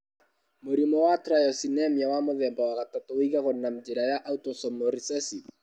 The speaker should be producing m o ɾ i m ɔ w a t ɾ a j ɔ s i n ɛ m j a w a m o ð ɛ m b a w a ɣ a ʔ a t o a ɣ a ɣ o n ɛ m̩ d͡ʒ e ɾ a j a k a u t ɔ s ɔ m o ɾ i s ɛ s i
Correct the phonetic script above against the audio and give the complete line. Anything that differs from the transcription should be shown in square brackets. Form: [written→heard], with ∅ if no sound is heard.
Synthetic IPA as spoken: m o ɾ i m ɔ w a t ɾ a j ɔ s i n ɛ m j a w a m o ð ɛ m b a w a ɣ a [ʔ→t] a t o [a→i] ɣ a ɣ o n [ɛ→a] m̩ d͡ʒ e ɾ a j a [k→ʔ] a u t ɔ s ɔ m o ɾ i s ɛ s i